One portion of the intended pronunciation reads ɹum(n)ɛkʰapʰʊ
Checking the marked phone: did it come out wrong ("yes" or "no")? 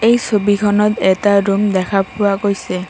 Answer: yes